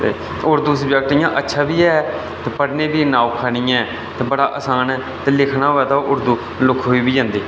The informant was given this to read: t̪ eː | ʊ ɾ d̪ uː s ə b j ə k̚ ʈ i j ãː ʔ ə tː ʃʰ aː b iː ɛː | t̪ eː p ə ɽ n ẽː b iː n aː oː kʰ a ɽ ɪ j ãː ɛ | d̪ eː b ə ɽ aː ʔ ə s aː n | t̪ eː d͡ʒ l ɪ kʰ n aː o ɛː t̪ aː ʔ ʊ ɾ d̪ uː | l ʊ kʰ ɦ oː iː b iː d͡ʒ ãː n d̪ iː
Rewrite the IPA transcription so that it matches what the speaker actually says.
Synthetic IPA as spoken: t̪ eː | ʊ ɾ d̪ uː s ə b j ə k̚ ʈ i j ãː ʔ ə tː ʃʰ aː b iː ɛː | t̪ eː p ə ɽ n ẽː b iː n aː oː kʰ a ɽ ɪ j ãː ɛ | t̪ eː b ə ɽ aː ʔ ə s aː n | t̪ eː l ɪ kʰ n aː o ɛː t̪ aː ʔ ʊ ɾ d̪ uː | l ʊ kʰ ɦ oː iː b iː d͡ʒ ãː n d̪ iː

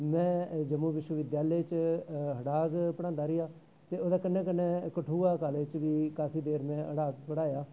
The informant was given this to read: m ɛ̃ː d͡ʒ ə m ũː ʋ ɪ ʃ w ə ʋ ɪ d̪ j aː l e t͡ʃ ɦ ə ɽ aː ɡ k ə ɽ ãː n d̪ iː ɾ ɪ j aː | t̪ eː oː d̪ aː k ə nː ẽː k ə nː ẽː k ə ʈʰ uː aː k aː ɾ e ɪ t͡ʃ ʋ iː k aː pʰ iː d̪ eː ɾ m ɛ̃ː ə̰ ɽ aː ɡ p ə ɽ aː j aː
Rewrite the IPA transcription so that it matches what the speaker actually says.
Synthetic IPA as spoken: m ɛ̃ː d͡ʒ ə m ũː ʋ ɪ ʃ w ə ʋ ɪ d̪ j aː l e t͡ʃ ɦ ə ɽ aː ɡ p ə ɽ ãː n d̪ aː ɾ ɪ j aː | t̪ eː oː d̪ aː k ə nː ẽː k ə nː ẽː k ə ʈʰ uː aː k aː l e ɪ t͡ʃ ʋ iː k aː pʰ iː d̪ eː ɾ m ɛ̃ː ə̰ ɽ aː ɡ p ə ɽ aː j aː

